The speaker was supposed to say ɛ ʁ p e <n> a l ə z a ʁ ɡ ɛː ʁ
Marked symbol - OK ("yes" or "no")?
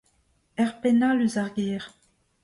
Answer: yes